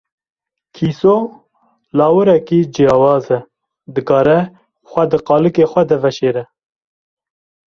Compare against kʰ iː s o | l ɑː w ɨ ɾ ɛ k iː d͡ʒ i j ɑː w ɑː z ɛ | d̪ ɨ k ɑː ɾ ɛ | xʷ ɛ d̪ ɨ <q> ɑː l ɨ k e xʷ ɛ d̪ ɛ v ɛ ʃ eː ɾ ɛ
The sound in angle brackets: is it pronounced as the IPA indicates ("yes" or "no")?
yes